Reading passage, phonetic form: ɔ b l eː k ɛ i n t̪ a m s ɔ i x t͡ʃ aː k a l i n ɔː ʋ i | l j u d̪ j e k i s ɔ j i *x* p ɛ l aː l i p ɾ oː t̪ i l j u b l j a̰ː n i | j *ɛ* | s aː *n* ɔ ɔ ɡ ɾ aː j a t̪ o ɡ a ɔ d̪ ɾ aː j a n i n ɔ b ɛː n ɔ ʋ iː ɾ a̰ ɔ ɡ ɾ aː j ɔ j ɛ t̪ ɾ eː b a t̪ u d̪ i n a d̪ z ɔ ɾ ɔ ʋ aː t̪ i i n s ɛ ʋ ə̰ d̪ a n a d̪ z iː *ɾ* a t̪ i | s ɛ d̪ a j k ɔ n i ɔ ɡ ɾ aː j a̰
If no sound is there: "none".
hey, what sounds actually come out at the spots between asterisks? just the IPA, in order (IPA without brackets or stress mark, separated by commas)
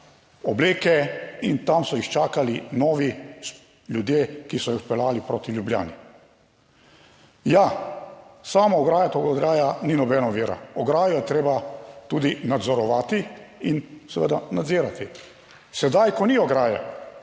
x, a, m, ɾ